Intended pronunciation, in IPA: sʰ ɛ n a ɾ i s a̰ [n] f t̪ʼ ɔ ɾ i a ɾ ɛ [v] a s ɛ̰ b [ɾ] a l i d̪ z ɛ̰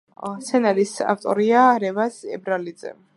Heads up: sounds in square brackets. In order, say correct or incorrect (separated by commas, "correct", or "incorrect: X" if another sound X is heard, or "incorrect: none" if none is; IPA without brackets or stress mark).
incorrect: none, correct, correct